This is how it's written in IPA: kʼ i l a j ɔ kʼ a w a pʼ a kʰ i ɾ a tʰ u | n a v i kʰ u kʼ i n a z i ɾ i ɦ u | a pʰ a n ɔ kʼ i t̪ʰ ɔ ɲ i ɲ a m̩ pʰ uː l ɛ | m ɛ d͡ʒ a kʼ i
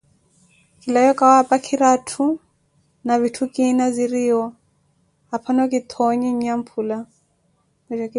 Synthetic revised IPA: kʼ i l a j ɔ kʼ a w a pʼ a kʰ i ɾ a tʰ u | n a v i tʰ u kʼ i n a z i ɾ i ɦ ɔ | a pʰ a n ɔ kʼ i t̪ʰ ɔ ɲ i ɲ a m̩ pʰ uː l a | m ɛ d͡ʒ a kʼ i